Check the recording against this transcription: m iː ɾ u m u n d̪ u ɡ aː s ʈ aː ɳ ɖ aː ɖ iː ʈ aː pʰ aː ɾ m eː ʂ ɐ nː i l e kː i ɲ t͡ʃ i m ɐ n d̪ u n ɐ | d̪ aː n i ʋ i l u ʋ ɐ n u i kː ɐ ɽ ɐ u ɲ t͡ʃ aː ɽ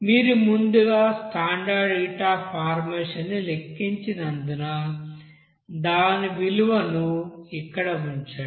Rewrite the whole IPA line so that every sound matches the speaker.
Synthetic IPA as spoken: m iː ɾ u m u n d̪ u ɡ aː s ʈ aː ɳ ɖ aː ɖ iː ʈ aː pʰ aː ɾ m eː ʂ ɐ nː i l e kː i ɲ t͡ʃ i n ɐ n d̪ u n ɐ | d̪ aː n i ʋ i l u ʋ ɐ n u i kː ɐ ɽ ɐ u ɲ t͡ʃ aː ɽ